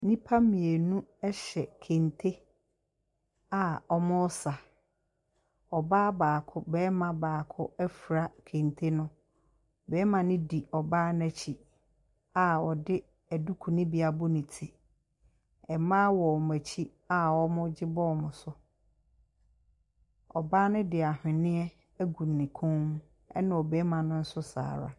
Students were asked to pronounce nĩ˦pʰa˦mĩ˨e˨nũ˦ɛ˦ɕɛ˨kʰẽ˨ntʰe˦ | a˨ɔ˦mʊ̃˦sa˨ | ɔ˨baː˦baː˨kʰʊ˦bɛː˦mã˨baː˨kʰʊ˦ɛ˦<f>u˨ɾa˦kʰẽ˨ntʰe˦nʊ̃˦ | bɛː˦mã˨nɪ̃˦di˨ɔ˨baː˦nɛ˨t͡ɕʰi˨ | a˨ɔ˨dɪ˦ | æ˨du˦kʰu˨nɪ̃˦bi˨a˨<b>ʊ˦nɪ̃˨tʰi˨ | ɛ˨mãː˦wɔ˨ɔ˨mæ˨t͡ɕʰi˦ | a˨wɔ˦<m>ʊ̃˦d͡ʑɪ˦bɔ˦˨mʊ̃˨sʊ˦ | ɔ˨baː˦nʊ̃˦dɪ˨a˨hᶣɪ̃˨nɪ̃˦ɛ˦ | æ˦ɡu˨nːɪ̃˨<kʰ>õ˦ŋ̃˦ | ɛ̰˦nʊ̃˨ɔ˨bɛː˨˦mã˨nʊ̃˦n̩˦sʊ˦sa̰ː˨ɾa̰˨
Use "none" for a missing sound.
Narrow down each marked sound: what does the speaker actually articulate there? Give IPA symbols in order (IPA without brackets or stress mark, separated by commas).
f, b, m, kʰ